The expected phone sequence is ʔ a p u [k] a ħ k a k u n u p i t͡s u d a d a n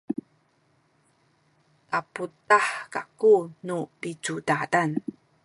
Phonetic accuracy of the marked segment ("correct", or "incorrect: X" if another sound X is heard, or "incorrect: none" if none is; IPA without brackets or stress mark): incorrect: t